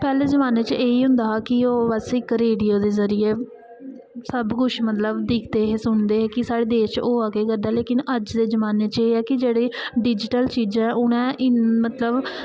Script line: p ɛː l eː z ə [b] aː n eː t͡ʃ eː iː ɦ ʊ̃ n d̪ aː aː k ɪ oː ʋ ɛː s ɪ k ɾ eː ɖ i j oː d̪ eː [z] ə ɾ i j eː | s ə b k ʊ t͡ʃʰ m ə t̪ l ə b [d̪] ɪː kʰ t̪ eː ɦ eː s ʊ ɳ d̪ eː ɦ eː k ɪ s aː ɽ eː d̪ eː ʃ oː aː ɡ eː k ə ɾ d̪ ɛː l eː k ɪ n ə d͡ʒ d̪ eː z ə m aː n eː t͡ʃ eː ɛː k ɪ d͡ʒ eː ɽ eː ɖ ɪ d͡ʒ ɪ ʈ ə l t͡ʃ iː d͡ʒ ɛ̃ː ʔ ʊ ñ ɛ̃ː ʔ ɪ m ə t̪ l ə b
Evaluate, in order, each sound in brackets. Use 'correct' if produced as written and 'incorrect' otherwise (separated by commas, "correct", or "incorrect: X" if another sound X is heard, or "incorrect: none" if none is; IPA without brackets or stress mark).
incorrect: m, correct, correct